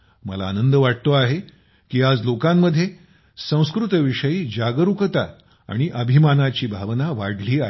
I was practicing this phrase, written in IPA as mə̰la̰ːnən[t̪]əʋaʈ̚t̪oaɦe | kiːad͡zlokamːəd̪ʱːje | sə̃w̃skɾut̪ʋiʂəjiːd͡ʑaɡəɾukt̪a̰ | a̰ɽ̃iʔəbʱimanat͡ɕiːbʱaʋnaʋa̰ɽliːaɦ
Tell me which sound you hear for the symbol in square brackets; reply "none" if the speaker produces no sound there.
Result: d̪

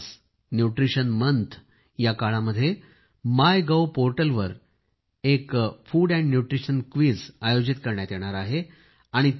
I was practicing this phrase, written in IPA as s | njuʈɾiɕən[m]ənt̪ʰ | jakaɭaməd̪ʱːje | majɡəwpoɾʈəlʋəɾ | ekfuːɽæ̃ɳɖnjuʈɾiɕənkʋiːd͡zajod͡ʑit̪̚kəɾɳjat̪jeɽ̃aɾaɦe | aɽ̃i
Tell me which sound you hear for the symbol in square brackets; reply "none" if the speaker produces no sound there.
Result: m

